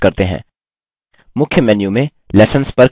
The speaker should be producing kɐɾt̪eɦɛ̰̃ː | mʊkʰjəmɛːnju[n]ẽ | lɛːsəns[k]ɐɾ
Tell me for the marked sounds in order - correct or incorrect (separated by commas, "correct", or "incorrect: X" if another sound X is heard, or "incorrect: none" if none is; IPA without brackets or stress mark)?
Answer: incorrect: m, incorrect: p